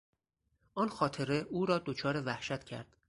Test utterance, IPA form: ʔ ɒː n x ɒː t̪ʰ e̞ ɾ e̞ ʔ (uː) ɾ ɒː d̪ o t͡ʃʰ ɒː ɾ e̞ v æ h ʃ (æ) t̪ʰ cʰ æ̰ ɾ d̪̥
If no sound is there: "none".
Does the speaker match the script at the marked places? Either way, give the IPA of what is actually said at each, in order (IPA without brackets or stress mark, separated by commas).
uː, æ